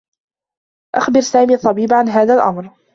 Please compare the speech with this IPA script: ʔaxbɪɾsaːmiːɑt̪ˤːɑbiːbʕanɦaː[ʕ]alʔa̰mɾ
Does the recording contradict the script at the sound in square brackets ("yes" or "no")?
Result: yes